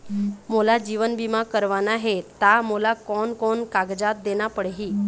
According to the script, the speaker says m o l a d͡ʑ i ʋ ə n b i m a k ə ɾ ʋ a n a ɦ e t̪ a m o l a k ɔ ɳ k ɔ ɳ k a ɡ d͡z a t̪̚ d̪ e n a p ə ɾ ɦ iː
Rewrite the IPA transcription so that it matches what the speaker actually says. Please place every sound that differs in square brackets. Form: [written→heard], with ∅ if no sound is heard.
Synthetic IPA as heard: m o l a d͡ʑ i ʋ ə n b i m a k ə ɾ ʋ a n a ɦ e t̪ a m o l a k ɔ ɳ k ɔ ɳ k a ɡ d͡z a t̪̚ d̪ e n a p ə [ɾ→ɽ] ɦ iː